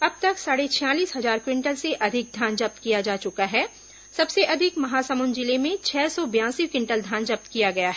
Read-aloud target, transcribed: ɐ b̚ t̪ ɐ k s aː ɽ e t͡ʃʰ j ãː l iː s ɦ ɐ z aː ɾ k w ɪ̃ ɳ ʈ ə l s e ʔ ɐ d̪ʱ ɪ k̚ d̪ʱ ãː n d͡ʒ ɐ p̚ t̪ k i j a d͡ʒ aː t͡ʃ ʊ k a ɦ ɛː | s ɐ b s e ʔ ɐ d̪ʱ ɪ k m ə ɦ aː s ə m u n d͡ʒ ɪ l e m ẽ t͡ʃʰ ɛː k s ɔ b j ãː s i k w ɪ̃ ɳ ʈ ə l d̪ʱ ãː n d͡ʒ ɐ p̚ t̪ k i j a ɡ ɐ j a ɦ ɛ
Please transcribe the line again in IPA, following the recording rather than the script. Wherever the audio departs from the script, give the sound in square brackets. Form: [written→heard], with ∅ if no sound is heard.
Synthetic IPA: ɐ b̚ t̪ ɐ k s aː ɽ e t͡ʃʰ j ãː l iː s ɦ ɐ z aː ɾ k w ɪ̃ ɳ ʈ ə l s e ʔ ɐ d̪ʱ ɪ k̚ d̪ʱ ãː n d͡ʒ ɐ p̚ t̪ k i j a d͡ʒ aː t͡ʃ ʊ k a ɦ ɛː | s ɐ b s e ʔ ɐ d̪ʱ ɪ k m [ə→ɐ] ɦ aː s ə m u n d͡ʒ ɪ l e m ẽ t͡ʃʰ ɛː [k→∅] s ɔ b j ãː s i k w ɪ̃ ɳ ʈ ə l d̪ʱ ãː n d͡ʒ ɐ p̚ t̪ k i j a ɡ ɐ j a ɦ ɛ